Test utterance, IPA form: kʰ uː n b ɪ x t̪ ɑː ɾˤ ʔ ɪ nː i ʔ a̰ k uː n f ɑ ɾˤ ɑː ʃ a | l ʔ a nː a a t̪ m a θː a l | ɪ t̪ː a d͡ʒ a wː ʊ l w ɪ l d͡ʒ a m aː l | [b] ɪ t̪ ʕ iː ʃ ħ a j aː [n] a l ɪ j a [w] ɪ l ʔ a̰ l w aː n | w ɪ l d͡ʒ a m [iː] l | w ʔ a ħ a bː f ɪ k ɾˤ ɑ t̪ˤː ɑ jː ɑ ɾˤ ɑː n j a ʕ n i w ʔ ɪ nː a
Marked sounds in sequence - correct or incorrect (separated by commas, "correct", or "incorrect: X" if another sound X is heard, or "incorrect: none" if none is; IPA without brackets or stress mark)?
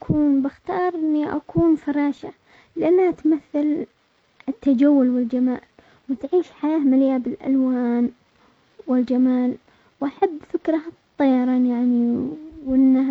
incorrect: w, incorrect: m, incorrect: b, incorrect: aː